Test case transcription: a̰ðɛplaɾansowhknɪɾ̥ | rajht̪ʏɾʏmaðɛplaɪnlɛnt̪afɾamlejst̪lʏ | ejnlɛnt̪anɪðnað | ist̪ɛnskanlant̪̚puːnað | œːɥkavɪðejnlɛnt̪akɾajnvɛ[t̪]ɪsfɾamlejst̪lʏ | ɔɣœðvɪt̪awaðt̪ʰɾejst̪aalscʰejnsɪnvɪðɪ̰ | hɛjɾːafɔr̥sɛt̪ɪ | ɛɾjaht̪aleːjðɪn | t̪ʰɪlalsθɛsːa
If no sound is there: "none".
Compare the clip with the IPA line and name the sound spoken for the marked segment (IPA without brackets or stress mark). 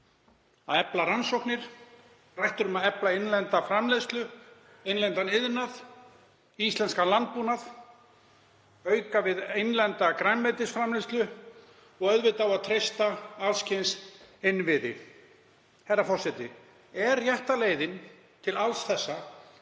t̪